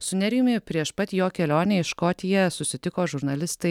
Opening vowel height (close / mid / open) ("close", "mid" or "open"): close